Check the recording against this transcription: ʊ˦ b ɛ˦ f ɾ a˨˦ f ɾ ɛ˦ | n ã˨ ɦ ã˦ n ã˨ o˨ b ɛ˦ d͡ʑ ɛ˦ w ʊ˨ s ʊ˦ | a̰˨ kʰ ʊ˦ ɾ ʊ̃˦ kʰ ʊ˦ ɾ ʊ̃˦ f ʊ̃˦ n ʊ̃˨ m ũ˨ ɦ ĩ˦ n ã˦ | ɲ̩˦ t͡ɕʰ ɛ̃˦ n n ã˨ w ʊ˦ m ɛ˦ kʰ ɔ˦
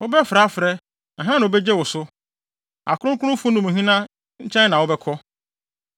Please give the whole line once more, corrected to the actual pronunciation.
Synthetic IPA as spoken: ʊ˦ b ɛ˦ f ɾ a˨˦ f ɾ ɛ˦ | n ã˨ ɦ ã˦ n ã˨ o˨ b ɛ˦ d͡ʑ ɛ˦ w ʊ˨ s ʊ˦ | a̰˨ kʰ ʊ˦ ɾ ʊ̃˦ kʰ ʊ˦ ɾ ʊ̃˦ f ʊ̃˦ n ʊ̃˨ m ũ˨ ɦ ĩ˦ n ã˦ | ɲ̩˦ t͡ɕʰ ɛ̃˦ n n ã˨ w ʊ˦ b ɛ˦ kʰ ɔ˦